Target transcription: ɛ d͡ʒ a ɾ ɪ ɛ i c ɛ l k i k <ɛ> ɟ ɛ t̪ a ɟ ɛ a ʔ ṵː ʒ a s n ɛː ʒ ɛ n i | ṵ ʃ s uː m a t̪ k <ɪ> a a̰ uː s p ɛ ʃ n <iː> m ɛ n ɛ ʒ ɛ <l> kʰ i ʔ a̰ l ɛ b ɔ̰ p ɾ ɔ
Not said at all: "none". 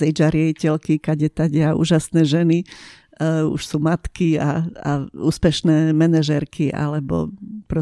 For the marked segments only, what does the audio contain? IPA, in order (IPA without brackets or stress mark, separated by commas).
a, i, ɛː, ɾ